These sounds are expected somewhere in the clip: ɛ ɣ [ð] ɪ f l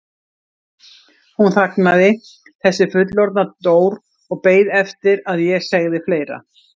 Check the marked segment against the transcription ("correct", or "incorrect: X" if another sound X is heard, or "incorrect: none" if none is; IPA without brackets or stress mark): correct